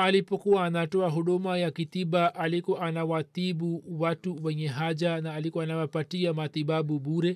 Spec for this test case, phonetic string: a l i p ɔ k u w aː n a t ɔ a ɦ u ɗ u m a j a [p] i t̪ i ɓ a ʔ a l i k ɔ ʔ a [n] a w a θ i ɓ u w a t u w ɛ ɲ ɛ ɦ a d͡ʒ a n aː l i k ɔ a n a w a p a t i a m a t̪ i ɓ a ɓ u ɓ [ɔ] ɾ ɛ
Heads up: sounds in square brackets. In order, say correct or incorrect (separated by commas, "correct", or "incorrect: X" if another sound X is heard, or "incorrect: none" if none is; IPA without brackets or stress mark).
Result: incorrect: k, correct, incorrect: u